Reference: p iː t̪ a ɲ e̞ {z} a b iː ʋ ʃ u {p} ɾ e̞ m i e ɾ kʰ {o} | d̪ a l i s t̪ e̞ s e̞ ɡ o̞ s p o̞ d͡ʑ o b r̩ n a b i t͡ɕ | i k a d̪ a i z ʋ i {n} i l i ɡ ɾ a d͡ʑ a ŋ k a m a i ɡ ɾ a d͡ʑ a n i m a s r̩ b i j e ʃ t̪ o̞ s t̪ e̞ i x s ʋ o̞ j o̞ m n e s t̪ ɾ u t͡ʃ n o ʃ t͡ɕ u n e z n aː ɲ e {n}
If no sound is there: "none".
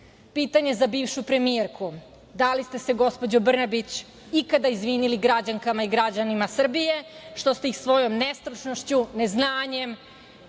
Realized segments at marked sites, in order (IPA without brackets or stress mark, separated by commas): z, p, u, n, m